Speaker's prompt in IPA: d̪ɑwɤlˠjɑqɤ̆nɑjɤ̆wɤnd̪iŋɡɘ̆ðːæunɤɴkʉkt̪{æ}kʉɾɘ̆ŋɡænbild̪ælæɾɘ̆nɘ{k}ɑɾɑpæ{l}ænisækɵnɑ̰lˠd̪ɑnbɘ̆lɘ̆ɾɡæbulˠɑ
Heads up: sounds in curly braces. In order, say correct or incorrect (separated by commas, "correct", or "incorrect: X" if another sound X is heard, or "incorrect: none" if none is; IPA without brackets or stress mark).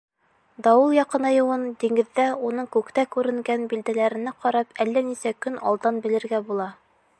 correct, incorrect: q, incorrect: lː